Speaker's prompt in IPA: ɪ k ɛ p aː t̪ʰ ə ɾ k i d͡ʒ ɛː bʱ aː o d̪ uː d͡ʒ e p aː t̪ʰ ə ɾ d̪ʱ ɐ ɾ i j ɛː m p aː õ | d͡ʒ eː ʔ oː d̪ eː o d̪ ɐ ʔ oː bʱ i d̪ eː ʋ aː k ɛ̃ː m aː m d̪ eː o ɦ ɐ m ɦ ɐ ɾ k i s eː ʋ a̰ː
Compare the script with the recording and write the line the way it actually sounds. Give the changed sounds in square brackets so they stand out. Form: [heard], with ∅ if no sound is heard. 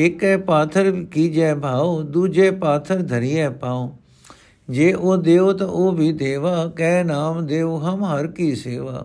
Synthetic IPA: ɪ k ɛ p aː t̪ʰ ə ɾ k i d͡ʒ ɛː bʱ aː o d̪ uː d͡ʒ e p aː t̪ʰ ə ɾ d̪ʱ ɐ ɾ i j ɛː [∅] p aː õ | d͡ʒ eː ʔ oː d̪ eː o [t̪] ɐ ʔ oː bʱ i d̪ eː ʋ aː k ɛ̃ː [n] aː m d̪ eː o ɦ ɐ m ɦ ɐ ɾ k i s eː ʋ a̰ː